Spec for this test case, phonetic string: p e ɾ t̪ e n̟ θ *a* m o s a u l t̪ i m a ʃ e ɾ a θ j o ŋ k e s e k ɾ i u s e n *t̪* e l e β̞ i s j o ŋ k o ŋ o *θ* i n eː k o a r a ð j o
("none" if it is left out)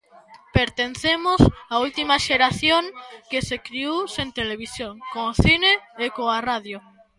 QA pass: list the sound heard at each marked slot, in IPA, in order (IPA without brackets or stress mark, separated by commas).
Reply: e, t̪, θ